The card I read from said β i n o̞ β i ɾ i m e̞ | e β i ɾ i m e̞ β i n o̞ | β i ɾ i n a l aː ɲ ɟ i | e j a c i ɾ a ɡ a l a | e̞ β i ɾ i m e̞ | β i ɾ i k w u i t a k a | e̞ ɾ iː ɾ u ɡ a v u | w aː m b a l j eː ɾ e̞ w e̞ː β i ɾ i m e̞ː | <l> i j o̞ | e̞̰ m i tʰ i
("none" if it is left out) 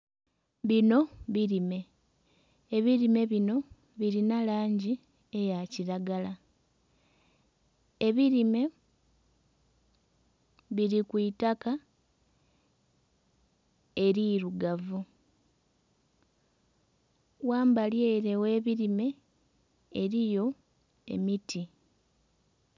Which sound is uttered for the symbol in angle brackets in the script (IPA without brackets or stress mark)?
ɾ